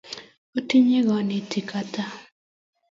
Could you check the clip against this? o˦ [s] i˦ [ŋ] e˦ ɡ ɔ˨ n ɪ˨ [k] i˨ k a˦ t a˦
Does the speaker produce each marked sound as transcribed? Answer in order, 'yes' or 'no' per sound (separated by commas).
no, no, no